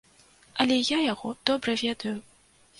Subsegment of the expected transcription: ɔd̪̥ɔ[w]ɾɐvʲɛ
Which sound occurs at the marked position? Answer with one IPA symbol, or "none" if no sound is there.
b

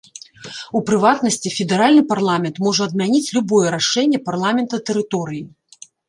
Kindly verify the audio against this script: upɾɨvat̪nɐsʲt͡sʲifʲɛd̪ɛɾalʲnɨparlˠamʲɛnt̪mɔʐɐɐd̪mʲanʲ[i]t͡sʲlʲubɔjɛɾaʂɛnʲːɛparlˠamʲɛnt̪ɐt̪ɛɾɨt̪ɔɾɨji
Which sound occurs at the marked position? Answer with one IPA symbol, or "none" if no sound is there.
i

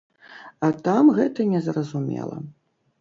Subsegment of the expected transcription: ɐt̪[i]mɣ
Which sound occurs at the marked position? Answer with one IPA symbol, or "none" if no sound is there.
a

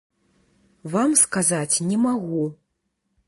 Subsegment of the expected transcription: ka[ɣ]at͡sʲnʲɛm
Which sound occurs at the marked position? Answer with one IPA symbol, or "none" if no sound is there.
z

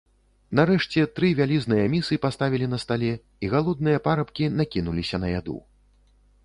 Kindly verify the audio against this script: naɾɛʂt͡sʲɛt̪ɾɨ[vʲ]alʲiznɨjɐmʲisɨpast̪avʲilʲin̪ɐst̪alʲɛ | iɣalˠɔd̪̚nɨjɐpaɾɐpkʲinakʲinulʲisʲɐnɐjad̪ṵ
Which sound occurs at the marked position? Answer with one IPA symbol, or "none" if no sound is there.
vʲ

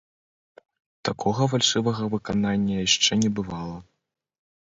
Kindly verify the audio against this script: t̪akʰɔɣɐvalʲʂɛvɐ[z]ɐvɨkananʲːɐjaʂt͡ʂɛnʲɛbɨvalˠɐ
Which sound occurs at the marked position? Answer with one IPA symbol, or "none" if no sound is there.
ɣ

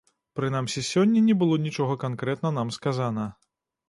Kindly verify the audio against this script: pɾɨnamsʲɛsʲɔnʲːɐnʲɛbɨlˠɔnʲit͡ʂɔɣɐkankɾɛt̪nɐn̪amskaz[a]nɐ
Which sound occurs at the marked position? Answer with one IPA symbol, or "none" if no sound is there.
a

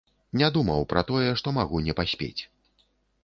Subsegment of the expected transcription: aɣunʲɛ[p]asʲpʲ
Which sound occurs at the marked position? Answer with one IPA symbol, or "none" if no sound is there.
p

